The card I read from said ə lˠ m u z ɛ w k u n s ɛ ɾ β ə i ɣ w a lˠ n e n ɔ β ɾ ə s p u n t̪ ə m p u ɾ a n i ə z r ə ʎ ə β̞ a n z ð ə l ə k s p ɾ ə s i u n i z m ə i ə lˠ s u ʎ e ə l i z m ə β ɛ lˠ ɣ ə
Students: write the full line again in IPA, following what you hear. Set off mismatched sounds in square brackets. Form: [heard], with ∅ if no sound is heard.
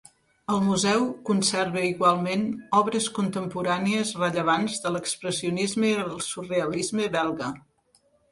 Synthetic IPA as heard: ə lˠ m u z ɛ w k u n s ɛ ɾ β ə i ɣ w a lˠ [m] e n ɔ β ɾ ə s [k] u n t̪ ə m p u ɾ a n i ə z r ə ʎ ə β̞ a n z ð ə l ə k s p ɾ ə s i u n i z m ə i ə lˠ s u [r] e ə l i z m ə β ɛ lˠ ɣ ə